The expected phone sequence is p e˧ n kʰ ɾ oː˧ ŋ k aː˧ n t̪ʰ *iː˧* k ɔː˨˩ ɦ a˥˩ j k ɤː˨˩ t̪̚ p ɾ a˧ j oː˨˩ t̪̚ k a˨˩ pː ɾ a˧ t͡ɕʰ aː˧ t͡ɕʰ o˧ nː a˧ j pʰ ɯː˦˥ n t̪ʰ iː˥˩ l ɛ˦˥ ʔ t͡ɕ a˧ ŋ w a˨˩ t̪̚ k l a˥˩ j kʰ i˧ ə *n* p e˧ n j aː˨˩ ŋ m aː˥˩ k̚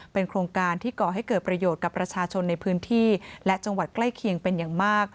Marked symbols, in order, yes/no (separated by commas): no, no